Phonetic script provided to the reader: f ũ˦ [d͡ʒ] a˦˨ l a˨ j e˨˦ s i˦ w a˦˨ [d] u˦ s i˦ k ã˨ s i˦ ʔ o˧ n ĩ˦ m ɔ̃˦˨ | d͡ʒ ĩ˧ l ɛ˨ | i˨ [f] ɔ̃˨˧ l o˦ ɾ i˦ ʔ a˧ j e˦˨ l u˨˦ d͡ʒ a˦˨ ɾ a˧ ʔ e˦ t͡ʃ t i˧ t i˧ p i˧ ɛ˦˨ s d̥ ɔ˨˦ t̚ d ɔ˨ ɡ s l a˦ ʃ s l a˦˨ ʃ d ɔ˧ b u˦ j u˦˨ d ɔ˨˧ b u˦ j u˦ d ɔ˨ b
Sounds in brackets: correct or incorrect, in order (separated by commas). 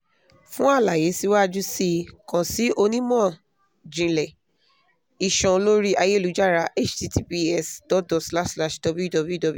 incorrect, incorrect, incorrect